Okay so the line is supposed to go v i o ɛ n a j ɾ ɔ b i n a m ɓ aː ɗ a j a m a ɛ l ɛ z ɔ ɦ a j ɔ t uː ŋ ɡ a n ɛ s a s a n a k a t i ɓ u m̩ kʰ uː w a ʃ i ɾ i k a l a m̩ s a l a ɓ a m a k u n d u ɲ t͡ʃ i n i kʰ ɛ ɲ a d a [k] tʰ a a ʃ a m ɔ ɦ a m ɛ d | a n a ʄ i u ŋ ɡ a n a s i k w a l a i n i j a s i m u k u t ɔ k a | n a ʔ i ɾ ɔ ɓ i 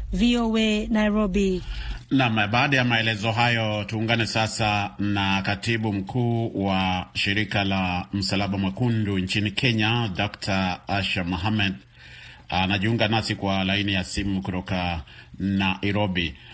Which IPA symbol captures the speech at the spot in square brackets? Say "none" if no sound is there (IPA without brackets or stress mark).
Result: k